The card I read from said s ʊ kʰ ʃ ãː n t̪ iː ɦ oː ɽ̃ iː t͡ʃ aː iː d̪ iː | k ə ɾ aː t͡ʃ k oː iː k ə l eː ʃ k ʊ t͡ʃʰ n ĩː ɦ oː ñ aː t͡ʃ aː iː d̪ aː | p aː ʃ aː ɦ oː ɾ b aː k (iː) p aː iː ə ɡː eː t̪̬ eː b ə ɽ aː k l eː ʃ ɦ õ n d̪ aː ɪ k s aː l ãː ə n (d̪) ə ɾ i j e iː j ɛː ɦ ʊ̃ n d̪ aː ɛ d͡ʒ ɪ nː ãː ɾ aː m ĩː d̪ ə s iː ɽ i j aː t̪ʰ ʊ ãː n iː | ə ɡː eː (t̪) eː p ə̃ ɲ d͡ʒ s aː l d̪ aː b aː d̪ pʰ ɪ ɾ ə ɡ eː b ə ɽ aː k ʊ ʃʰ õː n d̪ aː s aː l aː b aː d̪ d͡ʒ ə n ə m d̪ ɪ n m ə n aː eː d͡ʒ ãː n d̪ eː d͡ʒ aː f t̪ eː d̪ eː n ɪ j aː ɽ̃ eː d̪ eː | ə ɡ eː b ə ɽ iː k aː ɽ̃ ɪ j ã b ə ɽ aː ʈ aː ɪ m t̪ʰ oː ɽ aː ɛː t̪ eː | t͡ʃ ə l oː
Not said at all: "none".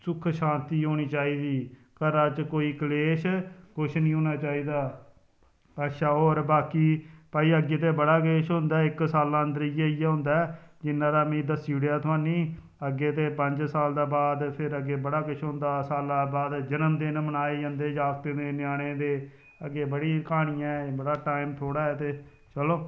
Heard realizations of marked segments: iː, d̪, t̪

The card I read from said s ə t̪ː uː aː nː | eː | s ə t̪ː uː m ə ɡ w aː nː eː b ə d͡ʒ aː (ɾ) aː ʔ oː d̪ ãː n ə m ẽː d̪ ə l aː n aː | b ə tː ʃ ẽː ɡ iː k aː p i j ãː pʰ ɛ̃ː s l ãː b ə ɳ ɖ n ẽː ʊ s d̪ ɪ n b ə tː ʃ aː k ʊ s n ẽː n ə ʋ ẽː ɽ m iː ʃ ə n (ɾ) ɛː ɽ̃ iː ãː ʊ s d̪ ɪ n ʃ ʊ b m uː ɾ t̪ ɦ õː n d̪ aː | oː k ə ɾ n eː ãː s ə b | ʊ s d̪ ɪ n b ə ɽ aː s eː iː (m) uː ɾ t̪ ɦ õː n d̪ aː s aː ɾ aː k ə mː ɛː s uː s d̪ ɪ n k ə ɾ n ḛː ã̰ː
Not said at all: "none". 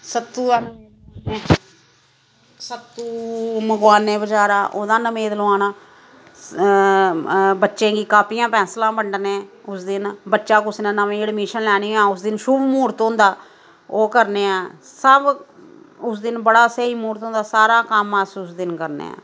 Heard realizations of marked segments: ɾ, l, m

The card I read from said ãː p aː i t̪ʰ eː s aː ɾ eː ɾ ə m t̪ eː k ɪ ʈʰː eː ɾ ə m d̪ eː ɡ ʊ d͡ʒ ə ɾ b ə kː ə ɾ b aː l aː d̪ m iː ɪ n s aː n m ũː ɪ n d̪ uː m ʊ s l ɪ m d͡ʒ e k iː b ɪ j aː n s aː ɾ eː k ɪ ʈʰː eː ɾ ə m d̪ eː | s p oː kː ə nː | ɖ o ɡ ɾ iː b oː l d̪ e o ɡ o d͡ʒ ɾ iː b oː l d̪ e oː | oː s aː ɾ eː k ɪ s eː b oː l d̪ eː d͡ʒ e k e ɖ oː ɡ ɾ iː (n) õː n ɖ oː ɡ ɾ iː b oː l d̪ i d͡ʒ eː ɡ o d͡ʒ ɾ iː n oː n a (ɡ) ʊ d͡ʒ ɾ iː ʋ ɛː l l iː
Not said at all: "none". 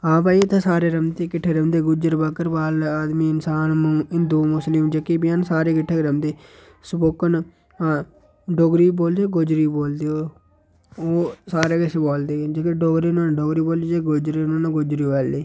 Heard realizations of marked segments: n, ɡ

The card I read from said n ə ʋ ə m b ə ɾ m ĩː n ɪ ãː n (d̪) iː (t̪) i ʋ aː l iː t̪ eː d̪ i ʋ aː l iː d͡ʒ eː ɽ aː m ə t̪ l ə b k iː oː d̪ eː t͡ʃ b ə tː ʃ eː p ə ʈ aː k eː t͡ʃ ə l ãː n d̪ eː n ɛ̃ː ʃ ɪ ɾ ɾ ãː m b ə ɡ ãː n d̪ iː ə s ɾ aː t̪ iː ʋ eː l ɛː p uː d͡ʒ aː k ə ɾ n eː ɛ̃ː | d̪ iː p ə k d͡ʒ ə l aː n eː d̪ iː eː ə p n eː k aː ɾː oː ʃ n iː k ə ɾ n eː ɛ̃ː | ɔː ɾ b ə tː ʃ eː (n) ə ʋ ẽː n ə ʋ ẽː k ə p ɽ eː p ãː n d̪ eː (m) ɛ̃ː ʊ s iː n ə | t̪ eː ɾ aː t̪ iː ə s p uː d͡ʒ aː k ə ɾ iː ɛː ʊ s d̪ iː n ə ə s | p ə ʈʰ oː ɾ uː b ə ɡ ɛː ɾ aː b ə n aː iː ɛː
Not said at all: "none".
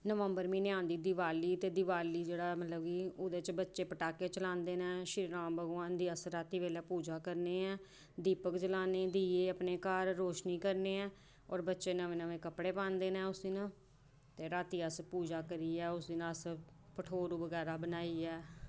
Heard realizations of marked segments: d̪, d̪, n, n

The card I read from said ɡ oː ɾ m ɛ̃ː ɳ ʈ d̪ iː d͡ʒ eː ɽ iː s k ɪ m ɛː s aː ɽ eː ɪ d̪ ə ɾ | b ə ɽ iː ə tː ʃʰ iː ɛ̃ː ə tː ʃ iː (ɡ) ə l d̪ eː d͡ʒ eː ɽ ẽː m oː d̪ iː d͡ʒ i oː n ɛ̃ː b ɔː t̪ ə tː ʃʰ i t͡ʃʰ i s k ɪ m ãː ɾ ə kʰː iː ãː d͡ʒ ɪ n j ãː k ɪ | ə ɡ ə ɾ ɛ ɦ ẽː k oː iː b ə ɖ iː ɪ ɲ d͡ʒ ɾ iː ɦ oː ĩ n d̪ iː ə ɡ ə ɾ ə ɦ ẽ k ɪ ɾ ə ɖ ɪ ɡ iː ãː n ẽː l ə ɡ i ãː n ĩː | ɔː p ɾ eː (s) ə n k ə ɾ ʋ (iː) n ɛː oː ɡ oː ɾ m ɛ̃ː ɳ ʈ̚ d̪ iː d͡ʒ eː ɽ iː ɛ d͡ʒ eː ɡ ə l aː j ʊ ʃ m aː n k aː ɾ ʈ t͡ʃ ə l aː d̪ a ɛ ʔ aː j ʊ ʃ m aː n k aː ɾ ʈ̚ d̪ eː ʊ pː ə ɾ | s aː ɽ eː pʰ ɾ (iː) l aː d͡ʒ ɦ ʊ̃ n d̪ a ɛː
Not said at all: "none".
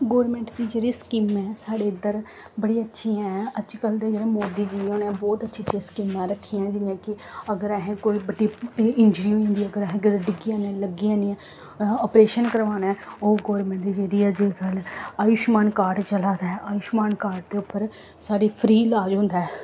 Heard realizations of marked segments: k, ʃ, aː, iː

